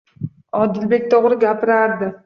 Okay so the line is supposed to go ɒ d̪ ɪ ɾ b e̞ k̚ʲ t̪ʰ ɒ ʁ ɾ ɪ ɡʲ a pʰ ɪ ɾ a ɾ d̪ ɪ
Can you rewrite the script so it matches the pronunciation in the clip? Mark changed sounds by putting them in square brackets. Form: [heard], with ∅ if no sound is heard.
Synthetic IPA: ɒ d̪ ɪ [l] b e̞ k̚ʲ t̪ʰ [o] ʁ ɾ ɪ ɡʲ a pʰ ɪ ɾ a ɾ d̪ ɪ